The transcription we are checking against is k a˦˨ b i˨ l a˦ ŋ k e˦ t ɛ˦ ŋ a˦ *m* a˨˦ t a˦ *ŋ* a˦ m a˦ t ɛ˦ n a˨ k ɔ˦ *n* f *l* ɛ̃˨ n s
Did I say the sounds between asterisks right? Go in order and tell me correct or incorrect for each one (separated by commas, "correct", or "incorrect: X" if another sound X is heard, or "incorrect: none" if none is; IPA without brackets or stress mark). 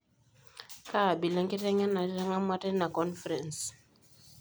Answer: incorrect: n, correct, correct, incorrect: ɾ